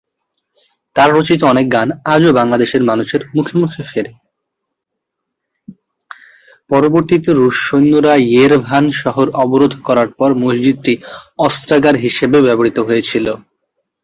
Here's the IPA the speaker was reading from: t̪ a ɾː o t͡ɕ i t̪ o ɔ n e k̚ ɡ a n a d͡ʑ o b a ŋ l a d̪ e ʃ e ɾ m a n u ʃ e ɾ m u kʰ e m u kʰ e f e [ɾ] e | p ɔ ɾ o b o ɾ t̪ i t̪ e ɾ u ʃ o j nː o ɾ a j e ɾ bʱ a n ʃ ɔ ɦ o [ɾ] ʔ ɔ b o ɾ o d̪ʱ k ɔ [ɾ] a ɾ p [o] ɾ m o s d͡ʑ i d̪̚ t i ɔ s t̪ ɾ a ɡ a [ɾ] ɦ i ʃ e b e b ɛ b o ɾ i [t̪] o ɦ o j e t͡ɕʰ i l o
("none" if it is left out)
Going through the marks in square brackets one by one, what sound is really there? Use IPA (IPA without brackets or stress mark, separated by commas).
ɾ, ɾ, ɾ, ɔ, ɾ, t̪